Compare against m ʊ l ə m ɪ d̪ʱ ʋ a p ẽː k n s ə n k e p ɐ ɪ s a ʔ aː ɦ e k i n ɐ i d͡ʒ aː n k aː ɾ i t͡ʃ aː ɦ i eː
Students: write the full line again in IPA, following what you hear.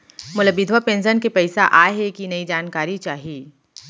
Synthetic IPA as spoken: m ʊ l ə b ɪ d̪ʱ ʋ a p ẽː n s ə n k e p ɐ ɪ s a ʔ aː ɦ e k i n ɐ i d͡ʒ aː n k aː ɾ i t͡ʃ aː ɦ i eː